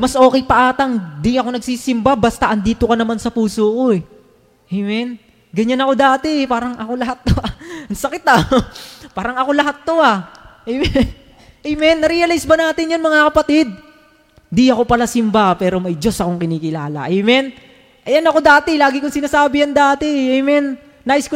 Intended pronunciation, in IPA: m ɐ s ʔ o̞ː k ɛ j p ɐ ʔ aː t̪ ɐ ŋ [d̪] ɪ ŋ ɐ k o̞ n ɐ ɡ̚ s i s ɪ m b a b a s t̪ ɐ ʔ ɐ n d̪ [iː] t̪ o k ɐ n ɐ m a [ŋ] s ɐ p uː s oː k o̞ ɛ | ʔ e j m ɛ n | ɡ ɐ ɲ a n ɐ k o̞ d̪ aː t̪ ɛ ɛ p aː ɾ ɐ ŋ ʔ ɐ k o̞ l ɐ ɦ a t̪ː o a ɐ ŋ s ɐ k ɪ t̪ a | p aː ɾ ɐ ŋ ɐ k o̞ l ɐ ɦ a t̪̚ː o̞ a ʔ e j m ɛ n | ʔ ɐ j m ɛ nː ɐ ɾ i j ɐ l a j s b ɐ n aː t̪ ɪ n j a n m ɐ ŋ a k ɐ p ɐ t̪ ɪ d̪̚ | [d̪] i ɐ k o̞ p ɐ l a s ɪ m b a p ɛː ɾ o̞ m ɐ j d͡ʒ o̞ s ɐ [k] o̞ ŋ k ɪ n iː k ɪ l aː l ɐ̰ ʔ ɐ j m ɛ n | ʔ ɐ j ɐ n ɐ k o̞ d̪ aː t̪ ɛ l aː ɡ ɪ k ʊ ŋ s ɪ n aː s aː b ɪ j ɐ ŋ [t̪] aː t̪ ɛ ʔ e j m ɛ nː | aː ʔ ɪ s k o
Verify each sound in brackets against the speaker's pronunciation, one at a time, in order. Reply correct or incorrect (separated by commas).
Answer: correct, correct, incorrect, correct, correct, incorrect